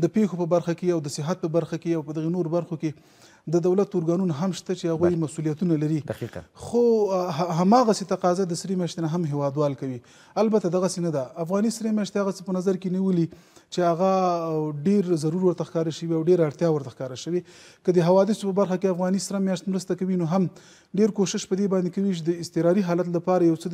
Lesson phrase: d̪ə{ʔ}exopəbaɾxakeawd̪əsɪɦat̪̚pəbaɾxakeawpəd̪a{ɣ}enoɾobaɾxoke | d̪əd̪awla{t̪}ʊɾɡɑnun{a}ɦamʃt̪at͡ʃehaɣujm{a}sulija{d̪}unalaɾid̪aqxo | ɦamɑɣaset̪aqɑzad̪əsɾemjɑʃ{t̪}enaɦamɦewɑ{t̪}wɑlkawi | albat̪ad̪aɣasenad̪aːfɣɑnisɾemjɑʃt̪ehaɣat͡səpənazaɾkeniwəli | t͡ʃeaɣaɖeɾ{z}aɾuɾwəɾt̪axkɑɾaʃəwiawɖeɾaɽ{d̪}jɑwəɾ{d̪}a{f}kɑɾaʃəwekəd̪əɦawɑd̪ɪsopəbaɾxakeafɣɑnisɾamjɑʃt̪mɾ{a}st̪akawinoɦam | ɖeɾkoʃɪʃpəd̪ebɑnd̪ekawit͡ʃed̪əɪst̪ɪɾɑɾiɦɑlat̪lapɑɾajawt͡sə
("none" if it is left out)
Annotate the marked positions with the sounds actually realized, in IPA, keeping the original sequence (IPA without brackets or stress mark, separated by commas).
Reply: p, ɣ, t̪, a, a, t̪, t̪, d̪, z, t̪, t̪, x, ə